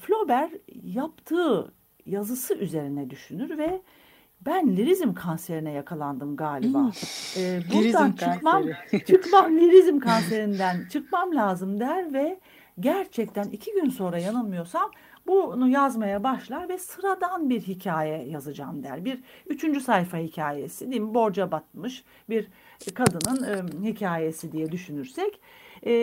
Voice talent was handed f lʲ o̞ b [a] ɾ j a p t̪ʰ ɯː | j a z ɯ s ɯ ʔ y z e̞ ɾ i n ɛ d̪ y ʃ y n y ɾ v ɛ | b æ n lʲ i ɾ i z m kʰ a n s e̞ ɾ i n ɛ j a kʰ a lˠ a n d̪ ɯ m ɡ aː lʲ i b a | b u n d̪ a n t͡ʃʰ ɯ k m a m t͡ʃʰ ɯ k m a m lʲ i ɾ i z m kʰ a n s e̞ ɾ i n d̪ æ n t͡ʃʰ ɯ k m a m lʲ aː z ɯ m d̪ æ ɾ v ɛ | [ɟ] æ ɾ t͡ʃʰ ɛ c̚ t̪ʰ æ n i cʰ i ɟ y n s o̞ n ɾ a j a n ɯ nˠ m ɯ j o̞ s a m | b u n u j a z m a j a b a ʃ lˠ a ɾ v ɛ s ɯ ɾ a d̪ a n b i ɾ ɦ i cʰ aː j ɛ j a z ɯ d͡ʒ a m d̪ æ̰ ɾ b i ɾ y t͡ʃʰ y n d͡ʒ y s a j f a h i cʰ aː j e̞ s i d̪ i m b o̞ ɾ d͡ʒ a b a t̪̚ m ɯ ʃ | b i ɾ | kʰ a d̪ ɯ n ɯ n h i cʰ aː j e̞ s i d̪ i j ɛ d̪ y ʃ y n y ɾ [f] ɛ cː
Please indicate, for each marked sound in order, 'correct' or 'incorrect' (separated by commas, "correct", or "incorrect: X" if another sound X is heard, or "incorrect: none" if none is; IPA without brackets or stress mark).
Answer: incorrect: æ, correct, incorrect: s